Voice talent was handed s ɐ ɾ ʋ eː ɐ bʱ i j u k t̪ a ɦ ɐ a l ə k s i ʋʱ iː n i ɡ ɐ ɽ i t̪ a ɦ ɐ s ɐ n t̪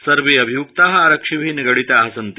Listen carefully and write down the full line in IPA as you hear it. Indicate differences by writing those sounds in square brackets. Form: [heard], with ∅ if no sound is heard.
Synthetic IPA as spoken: s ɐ ɾ ʋ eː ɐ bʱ i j u k t̪ a ɦ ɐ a [ɾ] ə k [ʂ] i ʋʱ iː n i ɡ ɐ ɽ i t̪ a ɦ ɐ s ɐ n t̪

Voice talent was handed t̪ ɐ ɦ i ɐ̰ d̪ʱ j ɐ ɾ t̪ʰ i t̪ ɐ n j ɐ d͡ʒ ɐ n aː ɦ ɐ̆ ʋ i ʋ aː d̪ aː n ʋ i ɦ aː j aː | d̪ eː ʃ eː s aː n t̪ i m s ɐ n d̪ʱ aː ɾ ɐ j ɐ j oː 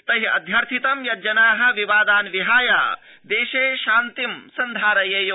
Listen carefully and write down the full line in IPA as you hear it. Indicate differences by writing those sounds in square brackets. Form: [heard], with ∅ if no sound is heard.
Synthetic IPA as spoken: t̪ ɐ ɦ i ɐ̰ d̪ʱ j ɐ ɾ t̪ʰ i t̪ ɐ [m] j ɐ d͡ʒ ɐ n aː ɦ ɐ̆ ʋ i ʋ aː d̪ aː n ʋ i ɦ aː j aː | d̪ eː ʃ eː [ʃ] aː n t̪ i m s ɐ n d̪ʱ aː ɾ ɐ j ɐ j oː

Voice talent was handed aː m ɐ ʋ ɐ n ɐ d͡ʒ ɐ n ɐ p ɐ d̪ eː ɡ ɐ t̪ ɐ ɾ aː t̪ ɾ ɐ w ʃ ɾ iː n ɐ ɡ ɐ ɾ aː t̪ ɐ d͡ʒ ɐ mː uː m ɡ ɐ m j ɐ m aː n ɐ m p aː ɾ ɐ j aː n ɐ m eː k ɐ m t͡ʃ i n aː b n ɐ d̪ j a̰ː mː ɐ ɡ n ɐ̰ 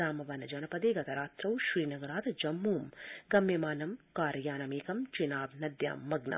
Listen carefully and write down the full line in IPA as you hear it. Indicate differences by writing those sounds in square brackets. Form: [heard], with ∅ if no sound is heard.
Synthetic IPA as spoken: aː m ɐ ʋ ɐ n ɐ d͡ʒ ɐ n ɐ p ɐ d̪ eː ɡ ɐ t̪ ɐ ɾ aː t̪ ɾ ɐ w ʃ ɾ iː n ɐ ɡ ɐ ɾ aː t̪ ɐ d͡ʒ ɐ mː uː m ɡ ɐ m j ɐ m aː n ɐ m [k] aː ɾ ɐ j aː n ɐ m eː k ɐ m t͡ʃ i n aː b n ɐ d̪ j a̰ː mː ɐ ɡ n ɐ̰

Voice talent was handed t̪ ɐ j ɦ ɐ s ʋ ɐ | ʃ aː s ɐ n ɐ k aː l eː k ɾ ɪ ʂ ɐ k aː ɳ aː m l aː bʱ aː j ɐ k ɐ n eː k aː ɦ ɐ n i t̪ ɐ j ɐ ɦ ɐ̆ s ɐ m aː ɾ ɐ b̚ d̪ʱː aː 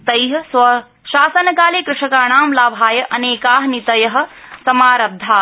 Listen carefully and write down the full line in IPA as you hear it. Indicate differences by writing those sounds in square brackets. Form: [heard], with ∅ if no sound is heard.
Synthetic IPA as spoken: t̪ ɐ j ɦ ɐ s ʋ ɐ | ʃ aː s ɐ n ɐ k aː l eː k ɾ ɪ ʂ ɐ k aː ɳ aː m l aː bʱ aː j ɐ [ʔ] ɐ n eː k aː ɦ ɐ n i t̪ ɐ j ɐ ɦ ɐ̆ s ɐ m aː ɾ ɐ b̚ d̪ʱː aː

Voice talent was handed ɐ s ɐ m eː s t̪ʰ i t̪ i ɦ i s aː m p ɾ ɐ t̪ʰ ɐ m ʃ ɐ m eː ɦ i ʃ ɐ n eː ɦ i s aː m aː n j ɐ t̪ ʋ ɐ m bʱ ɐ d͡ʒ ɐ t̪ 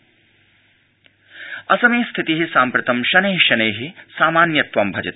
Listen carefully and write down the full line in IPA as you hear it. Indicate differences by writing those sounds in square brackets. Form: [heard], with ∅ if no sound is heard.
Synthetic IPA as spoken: ɐ s ɐ m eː s t̪ʰ i t̪ i ɦ i s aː m p ɾ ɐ [t̪] ɐ m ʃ ɐ [n] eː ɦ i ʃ ɐ n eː ɦ i s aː m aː n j ɐ t̪ ʋ ɐ m bʱ ɐ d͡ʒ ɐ t̪

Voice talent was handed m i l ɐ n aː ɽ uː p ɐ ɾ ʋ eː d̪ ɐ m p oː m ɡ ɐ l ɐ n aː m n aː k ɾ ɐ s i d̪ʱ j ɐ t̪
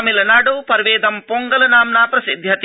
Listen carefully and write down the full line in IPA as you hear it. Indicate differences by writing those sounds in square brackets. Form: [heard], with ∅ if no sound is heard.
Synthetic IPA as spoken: m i l ɐ n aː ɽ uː p ɐ ɾ ʋ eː d̪ ɐ m p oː [ŋ] ɡ ɐ l ɐ n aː m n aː [p] ɾ ɐ s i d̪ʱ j ɐ t̪

